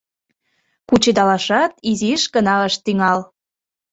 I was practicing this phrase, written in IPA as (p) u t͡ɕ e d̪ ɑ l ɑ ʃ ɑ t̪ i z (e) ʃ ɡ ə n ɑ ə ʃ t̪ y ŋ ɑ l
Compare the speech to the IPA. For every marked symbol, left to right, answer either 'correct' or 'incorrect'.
incorrect, incorrect

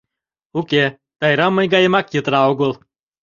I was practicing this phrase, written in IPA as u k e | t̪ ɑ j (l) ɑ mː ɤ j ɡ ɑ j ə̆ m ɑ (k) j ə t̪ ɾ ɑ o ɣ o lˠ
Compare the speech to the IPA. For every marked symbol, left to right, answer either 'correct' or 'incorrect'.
incorrect, correct

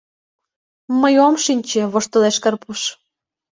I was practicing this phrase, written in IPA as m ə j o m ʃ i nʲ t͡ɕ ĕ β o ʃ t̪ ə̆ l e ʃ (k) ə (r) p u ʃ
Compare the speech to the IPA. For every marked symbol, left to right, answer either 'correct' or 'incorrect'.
correct, correct

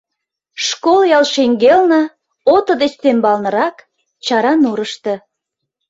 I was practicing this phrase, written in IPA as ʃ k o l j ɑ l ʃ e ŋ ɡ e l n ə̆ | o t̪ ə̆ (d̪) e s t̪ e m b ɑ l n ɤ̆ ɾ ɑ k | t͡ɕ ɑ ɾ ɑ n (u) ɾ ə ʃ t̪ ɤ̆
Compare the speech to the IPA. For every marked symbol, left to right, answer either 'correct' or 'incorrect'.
correct, correct

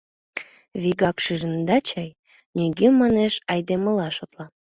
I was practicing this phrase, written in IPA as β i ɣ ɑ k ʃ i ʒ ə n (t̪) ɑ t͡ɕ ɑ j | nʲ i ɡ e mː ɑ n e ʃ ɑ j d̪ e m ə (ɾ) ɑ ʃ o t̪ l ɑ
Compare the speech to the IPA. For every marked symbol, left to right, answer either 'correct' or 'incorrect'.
incorrect, incorrect

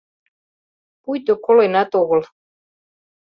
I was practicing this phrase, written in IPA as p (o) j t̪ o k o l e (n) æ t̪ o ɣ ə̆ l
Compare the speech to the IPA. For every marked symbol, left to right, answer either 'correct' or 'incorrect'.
incorrect, correct

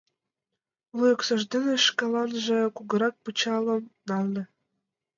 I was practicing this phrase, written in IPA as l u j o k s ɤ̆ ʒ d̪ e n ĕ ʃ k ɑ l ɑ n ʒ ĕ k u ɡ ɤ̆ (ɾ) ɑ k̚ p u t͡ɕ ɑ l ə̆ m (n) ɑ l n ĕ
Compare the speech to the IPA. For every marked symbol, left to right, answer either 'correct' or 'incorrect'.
correct, correct

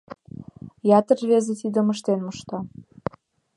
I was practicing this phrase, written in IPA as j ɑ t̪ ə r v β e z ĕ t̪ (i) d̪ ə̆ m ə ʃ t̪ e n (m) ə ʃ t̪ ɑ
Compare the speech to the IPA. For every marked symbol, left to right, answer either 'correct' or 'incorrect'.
correct, correct

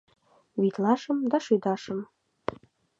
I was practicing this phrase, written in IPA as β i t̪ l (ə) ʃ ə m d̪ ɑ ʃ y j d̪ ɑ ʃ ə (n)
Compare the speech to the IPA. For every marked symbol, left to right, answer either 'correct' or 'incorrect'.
incorrect, incorrect

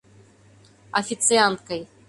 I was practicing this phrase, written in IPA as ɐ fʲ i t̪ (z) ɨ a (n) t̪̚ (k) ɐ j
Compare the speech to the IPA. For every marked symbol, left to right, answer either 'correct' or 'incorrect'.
incorrect, correct, correct

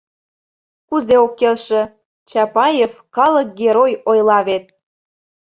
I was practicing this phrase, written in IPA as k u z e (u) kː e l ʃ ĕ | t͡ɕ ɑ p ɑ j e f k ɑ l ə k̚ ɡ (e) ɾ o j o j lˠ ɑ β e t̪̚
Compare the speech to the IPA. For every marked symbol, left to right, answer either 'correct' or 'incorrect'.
incorrect, correct

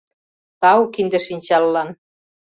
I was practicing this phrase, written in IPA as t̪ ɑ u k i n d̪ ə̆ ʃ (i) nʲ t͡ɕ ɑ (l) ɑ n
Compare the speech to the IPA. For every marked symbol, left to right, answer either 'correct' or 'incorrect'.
correct, incorrect

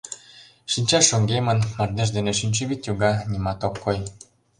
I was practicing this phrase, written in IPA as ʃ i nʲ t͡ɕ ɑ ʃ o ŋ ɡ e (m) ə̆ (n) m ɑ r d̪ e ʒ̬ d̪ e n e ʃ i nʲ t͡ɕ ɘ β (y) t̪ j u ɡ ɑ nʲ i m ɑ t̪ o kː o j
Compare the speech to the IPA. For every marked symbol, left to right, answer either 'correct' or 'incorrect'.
correct, correct, incorrect

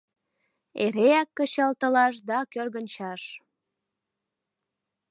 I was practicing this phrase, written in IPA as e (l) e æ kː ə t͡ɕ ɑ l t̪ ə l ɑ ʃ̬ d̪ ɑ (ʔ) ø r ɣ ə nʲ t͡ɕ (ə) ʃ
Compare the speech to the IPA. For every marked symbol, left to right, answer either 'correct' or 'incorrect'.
incorrect, incorrect, incorrect

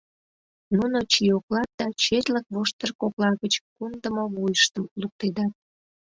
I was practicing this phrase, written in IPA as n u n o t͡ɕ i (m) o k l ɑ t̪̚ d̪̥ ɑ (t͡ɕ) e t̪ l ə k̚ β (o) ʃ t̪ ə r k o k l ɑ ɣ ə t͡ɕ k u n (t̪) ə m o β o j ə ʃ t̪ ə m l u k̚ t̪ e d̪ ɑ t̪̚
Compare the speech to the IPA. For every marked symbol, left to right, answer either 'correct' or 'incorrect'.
incorrect, correct, correct, incorrect

